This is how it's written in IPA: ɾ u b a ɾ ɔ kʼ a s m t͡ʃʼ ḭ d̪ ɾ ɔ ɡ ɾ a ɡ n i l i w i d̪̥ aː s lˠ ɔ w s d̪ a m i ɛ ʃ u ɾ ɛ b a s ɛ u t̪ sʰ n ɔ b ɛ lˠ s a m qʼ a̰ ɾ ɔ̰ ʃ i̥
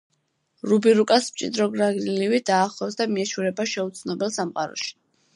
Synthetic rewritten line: ɾ u b i ɾ u kʼ a s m t͡ʃʼ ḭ d̪ ɾ ɔ ɡ ɾ a ɡ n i l i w i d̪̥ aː χ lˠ ɔ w s d̪ a m i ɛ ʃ u ɾ ɛ b a ʃ ɛ u t̪ sʰ n ɔ b ɛ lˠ s a m qʼ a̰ ɾ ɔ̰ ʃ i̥